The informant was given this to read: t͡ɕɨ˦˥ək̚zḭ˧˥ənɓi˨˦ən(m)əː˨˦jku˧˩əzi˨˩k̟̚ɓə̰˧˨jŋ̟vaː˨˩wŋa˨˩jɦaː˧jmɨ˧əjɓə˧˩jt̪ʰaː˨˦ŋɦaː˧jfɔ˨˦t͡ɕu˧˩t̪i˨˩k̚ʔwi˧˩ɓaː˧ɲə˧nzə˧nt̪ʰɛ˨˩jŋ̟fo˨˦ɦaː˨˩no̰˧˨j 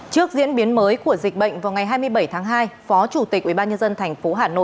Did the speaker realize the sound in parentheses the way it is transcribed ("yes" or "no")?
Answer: yes